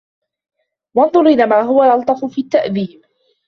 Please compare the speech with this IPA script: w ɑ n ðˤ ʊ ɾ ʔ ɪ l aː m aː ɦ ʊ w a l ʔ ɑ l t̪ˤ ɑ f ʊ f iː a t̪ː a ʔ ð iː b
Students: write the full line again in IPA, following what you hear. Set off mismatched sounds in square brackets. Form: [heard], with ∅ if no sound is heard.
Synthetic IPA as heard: w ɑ n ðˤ ʊ ɾ ʔ ɪ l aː m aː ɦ ʊ w a l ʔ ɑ l t̪ˤ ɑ f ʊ f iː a t̪ː a ʔ ð iː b